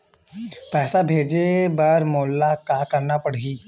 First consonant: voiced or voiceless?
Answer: voiceless